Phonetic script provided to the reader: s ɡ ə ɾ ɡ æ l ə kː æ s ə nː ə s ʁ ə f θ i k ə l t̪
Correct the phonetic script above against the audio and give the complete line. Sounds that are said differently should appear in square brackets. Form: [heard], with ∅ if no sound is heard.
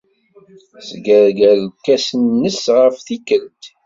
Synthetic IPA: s ɡ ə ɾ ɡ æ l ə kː æ s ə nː ə s ʁ ə f θ i k ə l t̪